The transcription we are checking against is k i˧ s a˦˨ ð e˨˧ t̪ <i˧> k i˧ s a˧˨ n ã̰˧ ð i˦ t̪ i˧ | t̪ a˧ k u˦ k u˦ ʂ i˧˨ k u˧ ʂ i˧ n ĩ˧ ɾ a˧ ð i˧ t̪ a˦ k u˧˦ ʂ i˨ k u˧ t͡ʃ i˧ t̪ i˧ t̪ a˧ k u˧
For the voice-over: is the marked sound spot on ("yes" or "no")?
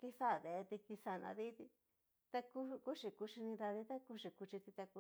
yes